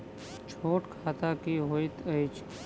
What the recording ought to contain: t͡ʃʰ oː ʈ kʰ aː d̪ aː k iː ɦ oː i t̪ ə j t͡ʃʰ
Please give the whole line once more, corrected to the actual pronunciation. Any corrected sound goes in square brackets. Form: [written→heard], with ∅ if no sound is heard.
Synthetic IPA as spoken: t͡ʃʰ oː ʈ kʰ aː [d̪→t̪] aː k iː ɦ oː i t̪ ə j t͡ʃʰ